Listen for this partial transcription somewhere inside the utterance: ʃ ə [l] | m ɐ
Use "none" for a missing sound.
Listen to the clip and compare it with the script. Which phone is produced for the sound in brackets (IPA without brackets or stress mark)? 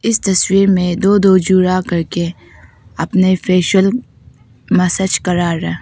l